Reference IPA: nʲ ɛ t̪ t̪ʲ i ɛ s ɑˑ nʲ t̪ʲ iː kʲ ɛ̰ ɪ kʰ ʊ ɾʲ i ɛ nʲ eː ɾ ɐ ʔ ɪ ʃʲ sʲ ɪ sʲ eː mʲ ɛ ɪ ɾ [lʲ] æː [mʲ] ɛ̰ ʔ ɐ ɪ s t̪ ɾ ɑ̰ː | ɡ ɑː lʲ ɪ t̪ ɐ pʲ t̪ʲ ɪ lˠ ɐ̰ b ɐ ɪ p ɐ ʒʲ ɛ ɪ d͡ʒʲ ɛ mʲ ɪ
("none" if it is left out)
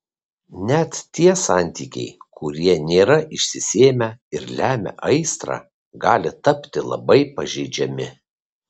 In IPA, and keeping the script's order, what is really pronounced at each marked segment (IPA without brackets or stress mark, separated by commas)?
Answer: lʲ, mʲ